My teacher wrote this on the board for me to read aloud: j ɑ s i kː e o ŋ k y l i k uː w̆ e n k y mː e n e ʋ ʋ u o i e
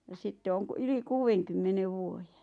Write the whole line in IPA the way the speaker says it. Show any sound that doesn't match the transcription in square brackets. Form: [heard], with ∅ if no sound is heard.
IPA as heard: j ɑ s i [tː] e o ŋ k y l i k uː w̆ e [ŋ] k y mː e n e ʋ ʋ u o [j] e